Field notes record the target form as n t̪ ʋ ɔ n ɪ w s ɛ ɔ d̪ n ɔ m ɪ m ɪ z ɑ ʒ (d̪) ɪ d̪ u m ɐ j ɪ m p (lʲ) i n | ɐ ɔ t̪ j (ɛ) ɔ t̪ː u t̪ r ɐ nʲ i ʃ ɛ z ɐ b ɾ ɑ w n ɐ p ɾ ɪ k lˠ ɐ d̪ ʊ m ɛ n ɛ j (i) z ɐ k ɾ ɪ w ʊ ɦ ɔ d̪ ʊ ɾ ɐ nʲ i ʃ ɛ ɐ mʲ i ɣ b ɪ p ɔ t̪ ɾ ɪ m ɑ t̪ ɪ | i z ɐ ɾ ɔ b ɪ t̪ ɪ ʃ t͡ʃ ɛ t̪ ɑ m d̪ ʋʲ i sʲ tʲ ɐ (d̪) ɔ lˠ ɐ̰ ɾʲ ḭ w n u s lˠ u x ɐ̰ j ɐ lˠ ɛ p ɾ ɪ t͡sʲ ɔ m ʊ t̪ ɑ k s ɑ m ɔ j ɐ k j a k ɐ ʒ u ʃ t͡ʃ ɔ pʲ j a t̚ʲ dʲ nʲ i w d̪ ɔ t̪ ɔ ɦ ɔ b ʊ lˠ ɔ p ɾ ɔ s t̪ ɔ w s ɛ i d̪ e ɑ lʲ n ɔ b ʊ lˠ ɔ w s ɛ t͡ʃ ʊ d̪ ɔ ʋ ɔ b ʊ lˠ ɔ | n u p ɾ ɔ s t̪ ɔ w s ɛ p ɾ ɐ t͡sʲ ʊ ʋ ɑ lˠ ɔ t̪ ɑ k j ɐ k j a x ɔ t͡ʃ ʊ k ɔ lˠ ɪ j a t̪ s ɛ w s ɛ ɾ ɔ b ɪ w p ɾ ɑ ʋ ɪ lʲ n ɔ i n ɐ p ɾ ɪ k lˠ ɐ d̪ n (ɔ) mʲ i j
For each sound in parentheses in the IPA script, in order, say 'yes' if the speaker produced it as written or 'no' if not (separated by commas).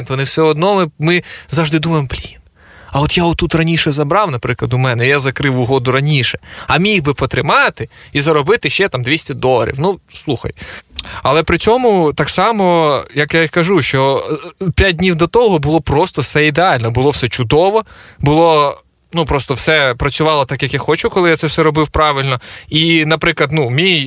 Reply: yes, yes, no, no, yes, no